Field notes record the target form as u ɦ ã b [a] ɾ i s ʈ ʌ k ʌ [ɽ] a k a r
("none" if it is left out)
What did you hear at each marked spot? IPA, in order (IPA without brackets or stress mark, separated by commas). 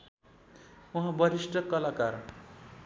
ʌ, l